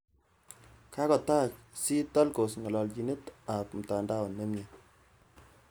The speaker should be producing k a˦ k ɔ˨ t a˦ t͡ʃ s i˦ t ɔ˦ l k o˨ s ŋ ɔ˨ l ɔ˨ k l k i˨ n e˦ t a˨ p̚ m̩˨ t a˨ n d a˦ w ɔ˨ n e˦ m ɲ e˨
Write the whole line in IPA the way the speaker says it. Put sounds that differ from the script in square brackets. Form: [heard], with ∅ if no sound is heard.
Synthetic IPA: k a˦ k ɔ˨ t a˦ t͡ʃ s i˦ t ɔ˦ l k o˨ s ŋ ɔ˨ l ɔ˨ [∅] l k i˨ n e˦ t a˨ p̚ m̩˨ t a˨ n d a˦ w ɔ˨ n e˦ m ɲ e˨